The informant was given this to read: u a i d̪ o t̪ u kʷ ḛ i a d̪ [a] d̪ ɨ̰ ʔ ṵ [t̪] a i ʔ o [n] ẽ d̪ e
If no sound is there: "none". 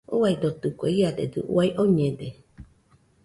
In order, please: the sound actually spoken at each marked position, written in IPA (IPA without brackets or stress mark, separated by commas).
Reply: e, none, ɲ